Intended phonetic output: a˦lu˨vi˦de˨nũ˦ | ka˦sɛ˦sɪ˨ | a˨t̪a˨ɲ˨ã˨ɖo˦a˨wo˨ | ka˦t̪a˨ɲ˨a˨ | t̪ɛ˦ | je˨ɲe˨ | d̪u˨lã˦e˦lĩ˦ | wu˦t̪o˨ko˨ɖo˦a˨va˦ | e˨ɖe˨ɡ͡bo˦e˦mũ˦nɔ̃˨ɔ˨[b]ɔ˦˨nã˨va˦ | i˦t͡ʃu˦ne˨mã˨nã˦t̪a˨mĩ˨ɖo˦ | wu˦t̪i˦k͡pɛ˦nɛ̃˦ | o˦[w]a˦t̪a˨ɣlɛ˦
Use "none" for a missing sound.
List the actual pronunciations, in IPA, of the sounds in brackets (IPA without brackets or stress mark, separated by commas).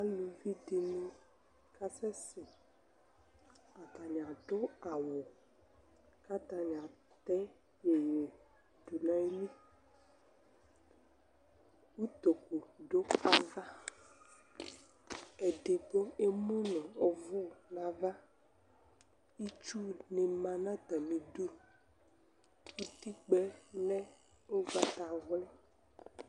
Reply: v, v